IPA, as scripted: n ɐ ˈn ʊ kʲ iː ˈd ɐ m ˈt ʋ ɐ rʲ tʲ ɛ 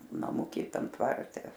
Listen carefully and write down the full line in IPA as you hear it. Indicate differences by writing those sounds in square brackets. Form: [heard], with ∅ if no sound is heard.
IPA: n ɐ [ˈm] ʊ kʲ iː [ˈt] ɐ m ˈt ʋ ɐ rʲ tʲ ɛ